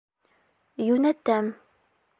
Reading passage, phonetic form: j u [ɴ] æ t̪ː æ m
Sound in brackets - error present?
yes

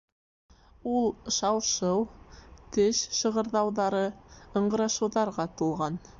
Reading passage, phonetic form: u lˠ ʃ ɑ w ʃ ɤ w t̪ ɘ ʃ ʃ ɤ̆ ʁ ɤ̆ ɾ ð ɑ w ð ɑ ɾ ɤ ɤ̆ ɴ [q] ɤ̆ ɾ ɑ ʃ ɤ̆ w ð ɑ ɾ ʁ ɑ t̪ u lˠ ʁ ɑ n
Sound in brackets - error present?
yes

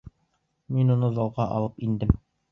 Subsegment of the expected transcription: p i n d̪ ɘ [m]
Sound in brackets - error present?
no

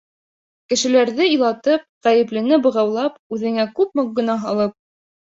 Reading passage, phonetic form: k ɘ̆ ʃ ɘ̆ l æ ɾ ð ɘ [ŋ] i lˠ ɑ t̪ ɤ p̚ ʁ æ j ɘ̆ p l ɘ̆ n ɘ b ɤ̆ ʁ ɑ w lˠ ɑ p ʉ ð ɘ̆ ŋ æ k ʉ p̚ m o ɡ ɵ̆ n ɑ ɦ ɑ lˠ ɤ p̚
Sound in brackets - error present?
yes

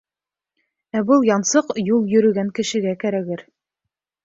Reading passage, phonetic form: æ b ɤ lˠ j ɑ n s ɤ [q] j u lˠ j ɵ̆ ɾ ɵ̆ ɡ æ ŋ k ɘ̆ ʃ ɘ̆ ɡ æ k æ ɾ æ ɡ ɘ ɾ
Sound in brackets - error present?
no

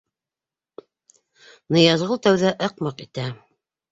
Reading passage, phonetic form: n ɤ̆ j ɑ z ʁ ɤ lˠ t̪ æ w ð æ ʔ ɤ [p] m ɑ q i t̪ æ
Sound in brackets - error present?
yes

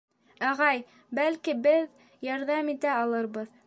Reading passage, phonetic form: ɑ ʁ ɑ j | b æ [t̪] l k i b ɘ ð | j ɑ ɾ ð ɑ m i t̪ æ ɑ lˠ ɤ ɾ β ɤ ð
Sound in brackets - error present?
yes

